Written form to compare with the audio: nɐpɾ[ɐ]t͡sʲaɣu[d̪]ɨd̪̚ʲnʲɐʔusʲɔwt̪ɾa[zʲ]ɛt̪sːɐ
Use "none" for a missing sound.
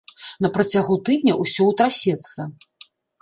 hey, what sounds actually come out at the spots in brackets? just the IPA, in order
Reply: ɐ, t̪, sʲ

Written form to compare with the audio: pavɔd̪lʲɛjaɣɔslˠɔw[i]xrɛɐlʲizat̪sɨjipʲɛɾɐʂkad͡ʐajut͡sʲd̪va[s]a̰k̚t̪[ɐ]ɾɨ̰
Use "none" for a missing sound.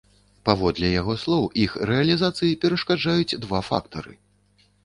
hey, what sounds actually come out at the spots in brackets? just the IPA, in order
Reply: i, f, ɐ

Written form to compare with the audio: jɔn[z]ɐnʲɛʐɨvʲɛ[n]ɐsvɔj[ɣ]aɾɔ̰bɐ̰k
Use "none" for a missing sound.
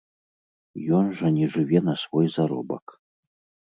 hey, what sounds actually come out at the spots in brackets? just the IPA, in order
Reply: ʐ, n, z

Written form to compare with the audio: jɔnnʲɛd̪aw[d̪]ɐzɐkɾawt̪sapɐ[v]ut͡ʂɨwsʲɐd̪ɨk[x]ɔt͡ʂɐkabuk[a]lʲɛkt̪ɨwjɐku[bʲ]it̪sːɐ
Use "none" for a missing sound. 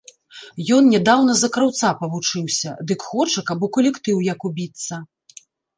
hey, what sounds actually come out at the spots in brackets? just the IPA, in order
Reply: n̪, v, x, ɐ, bʲ

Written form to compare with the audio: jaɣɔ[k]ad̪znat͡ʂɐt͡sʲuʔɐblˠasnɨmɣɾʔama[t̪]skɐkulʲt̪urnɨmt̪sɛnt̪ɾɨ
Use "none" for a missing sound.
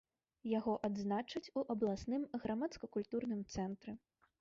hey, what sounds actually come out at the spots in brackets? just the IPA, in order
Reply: ʔ, t̪

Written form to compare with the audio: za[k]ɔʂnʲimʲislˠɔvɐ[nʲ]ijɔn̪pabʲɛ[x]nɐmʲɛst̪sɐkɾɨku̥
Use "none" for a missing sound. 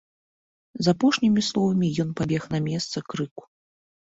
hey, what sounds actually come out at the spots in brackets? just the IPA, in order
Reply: p, mʲ, x

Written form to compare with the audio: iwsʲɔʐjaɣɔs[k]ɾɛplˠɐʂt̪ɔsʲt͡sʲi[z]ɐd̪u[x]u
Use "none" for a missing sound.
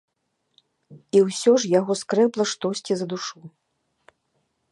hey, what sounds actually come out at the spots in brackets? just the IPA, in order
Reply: k, z, ʂ

